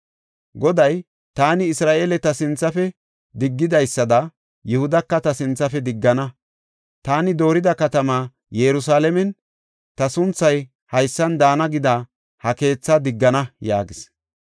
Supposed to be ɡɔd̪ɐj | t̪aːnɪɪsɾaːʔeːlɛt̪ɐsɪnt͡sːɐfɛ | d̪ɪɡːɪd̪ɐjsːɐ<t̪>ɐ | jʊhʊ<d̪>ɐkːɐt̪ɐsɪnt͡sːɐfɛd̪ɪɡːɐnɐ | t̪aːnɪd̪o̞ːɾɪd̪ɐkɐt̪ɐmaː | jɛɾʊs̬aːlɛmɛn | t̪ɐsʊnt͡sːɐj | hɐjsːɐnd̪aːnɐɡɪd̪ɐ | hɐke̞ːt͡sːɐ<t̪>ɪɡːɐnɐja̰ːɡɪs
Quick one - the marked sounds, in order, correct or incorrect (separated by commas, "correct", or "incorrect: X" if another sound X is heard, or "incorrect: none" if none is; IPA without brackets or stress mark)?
incorrect: d̪, correct, incorrect: d̪